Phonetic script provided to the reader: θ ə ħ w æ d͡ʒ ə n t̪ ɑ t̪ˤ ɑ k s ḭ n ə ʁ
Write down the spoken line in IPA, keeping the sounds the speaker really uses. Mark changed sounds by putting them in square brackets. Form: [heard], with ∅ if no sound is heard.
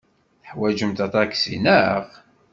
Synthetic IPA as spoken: θ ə ħ w æ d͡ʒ ə [m] t̪ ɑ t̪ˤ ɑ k s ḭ n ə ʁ